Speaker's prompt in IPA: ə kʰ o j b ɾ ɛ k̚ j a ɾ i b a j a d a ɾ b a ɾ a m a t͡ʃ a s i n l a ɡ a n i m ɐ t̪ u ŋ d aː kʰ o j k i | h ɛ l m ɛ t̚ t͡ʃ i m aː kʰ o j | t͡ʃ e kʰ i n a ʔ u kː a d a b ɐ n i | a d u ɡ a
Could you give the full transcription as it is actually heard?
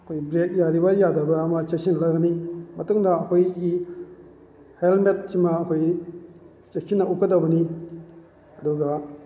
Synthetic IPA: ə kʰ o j b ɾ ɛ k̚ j a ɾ i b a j a d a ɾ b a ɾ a m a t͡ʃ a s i n l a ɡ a n i m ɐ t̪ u ŋ d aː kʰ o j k i | h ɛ l m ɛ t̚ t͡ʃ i m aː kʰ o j | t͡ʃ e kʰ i n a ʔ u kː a d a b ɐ n i | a d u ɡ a